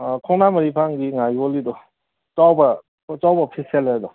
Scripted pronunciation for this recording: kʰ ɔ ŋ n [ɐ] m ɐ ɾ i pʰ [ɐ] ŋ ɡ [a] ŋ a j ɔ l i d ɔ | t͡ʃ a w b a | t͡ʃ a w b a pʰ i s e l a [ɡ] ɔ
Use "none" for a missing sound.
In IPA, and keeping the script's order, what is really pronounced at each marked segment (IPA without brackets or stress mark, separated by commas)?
a, a, i, d